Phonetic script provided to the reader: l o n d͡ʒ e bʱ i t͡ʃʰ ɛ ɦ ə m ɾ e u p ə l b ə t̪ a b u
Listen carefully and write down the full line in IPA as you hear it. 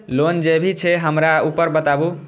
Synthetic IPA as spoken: l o n d͡ʒ e bʱ i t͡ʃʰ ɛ ɦ ə m ɾ a u p ə ɾ b ə t̪ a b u